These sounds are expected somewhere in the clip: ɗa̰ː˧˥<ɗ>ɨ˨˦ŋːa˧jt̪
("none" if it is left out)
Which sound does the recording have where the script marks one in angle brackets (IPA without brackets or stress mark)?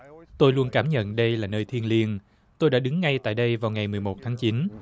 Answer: ɗ